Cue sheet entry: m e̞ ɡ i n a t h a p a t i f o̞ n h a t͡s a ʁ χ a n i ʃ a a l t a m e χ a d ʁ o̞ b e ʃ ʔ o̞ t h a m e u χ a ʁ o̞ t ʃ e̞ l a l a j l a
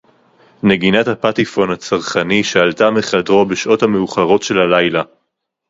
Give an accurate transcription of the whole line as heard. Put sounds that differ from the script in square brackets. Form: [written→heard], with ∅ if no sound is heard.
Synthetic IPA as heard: [m→n] e̞ ɡ i n a t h a p a t i f o̞ n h a t͡s a ʁ χ a n i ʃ a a l t a m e χ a d ʁ o̞ b e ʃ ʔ o̞ t h a m e u χ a ʁ o̞ t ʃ e̞ l a l a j l a